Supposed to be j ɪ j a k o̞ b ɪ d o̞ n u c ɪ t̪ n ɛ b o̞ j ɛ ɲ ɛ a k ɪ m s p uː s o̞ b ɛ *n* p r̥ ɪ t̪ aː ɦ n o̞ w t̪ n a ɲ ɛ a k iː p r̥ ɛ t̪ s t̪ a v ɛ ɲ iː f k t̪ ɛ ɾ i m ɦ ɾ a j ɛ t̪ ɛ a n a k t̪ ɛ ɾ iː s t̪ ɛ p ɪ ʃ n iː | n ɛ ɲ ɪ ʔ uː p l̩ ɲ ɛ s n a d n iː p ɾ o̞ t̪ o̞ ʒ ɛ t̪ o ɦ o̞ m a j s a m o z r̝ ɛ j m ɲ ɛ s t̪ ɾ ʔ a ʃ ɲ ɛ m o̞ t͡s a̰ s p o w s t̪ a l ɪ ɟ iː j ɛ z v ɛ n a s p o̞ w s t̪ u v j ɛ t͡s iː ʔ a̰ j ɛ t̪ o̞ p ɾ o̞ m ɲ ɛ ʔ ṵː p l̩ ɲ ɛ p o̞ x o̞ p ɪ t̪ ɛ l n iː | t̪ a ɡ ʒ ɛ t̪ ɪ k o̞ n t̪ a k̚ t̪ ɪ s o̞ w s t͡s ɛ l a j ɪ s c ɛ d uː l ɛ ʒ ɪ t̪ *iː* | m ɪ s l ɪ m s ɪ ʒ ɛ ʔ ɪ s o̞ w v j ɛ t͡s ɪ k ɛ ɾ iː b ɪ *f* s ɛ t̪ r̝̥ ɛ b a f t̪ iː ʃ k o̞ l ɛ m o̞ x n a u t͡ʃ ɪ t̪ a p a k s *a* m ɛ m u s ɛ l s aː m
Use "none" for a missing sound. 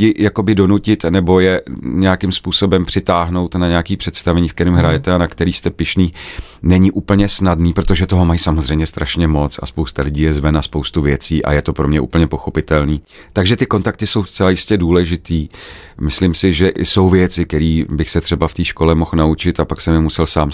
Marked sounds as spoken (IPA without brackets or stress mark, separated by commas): m, iː, x, ɛ